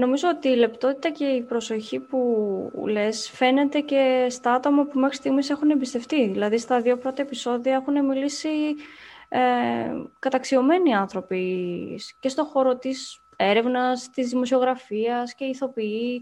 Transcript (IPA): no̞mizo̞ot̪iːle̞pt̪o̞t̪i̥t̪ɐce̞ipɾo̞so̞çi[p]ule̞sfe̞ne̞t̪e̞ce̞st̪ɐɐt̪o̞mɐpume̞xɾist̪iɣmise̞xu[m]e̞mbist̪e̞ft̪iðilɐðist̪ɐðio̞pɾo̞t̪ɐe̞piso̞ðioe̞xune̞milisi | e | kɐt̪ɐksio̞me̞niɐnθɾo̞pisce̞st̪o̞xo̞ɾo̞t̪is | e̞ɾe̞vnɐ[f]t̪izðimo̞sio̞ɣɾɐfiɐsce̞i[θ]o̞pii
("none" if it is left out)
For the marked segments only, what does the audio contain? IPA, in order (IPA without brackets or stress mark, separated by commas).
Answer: p, n, s, θ